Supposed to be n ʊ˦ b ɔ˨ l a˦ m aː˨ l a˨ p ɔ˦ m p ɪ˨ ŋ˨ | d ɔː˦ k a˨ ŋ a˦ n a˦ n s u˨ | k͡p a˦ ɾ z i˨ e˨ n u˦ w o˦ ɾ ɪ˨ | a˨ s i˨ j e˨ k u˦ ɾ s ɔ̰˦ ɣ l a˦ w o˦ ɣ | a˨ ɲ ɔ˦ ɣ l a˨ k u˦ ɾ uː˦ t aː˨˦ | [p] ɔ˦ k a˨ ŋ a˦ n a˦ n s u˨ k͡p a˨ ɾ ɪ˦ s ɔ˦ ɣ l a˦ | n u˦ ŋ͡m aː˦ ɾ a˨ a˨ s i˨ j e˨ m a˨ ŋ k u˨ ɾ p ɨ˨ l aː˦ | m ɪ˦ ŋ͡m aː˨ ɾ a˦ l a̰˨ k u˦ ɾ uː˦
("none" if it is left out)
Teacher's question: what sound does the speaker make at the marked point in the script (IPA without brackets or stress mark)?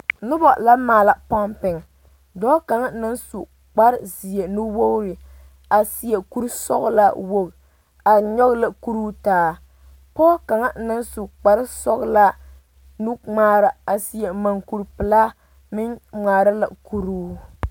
p